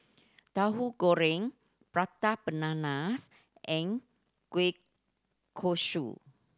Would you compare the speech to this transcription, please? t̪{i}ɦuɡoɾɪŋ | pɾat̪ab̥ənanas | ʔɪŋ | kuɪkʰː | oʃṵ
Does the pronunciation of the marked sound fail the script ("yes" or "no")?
yes